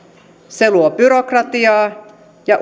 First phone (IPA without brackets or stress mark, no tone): s